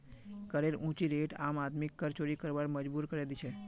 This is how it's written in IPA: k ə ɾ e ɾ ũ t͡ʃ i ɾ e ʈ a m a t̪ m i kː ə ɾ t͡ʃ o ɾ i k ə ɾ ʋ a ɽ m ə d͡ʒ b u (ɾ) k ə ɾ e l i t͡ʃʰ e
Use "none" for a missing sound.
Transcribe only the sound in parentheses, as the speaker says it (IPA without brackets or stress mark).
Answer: ɾ